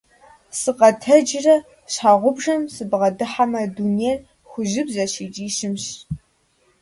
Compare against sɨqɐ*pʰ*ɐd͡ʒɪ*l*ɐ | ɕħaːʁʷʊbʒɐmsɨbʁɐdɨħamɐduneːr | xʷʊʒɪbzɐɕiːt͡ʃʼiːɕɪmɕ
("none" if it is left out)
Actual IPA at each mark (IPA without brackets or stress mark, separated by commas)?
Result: tʰ, r